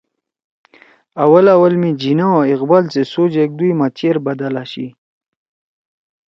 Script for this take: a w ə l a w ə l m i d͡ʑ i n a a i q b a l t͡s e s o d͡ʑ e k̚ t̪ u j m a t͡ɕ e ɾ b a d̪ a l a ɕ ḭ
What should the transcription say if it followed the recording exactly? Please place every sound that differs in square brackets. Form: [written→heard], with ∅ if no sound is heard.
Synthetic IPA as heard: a w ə l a w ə l m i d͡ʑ i n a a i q b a l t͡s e s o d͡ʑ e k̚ [t̪→d̪] u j m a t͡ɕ e ɾ b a d̪ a l a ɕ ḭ